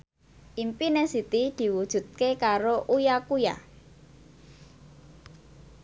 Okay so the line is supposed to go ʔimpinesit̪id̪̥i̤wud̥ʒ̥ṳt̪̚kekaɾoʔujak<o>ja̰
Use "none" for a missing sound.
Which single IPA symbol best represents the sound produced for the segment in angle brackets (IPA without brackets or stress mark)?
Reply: u